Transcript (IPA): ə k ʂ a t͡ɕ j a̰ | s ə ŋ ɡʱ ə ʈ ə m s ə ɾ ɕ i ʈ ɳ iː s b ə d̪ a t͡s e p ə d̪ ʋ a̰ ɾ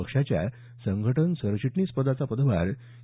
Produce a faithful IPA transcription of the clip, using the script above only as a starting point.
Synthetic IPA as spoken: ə k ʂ a t͡ɕ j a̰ | s ə ŋ ɡʱ ə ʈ ə n s ə ɾ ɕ i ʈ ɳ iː s p ə d̪ a t͡s a p ə d̪ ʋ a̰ ɾ